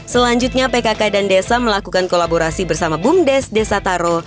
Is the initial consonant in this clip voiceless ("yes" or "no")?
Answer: yes